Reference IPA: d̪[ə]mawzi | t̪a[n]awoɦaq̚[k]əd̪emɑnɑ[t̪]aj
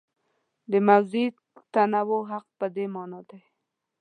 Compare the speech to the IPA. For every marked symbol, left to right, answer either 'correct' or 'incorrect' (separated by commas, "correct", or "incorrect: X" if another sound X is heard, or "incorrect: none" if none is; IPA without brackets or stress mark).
correct, correct, incorrect: p, incorrect: d̪